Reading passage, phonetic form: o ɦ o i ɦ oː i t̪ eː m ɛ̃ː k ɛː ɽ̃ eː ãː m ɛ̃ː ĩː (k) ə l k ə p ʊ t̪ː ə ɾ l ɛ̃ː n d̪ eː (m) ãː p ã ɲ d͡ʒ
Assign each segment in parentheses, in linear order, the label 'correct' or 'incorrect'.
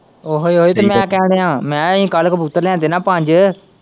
correct, incorrect

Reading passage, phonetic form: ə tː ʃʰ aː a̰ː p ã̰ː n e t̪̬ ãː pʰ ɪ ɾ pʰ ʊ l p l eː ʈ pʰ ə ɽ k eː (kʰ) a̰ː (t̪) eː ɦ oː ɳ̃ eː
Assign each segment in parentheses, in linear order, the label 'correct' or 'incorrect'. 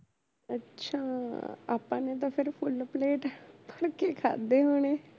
correct, incorrect

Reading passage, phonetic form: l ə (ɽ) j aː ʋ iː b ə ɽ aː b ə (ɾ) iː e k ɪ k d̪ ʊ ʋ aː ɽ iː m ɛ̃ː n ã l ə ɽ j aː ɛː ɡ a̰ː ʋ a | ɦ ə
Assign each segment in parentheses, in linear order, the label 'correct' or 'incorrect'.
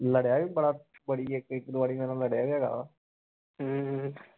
correct, incorrect

